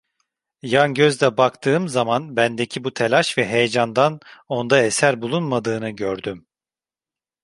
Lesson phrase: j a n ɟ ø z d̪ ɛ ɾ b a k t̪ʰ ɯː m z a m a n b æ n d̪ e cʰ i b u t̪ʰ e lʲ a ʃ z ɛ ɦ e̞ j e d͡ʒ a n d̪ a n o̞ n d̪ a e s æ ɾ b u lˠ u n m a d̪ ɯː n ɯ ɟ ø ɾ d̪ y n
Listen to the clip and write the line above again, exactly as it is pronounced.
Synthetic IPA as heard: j a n ɟ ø z d̪ ɛ b a k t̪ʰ ɯː m z a m a n b æ n d̪ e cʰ i b u t̪ʰ e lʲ a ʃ v ɛ ɦ e̞ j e d͡ʒ a n d̪ a n o̞ n d̪ a e s æ ɾ b u lˠ u n m a d̪ ɯː n ɯ ɟ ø ɾ d̪ y m